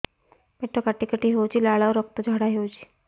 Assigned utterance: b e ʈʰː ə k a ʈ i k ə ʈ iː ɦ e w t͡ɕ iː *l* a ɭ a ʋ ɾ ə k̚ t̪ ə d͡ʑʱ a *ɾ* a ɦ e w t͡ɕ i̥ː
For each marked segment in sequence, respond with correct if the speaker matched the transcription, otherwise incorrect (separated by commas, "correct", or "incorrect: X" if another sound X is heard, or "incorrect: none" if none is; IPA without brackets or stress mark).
correct, incorrect: ɽ